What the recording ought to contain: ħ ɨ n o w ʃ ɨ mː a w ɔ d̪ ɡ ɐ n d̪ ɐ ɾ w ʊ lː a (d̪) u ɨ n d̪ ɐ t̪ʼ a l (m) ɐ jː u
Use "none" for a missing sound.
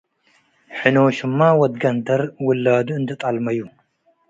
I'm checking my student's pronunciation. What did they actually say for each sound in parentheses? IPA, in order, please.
d̪, m

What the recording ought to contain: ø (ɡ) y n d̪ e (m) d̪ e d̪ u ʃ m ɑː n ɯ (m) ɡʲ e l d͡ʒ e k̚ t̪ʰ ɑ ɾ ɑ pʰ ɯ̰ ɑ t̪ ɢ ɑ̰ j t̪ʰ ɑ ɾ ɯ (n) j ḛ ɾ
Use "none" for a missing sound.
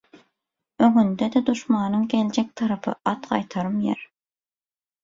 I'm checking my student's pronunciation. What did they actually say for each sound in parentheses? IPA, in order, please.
ŋ, none, ŋ, m

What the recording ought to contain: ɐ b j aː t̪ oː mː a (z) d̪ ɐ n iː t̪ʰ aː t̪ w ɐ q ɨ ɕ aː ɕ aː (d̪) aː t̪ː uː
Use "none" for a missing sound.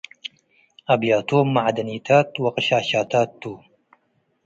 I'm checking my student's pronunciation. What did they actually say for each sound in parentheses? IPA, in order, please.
ʕ, t̪

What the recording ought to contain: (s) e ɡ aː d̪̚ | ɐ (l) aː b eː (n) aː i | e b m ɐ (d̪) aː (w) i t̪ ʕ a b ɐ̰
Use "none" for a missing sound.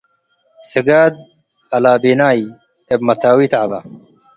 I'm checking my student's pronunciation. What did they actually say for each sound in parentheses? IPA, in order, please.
s, l, n, t̪, w

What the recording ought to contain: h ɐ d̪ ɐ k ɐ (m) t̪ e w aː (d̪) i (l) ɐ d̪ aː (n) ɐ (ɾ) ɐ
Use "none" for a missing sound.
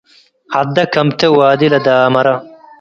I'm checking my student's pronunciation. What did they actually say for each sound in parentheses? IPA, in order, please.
m, d̪, l, m, ɾ

